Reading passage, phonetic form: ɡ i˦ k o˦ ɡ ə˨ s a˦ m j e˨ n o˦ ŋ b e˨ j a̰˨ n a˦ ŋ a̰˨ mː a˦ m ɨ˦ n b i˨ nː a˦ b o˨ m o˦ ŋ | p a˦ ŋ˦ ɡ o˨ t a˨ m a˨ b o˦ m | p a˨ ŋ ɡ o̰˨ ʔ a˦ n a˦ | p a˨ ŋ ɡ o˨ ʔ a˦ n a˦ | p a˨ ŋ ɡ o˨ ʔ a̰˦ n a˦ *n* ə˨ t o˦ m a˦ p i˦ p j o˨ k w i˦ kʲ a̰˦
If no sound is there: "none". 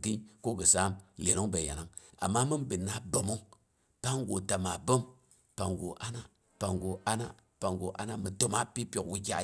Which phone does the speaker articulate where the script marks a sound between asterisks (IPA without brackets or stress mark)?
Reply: m